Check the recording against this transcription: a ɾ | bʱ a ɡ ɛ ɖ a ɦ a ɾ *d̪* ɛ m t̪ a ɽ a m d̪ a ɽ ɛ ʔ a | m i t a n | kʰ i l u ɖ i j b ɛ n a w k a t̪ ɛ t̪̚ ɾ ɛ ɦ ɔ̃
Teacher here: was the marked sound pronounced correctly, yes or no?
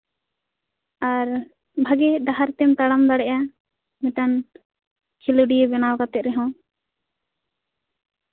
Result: no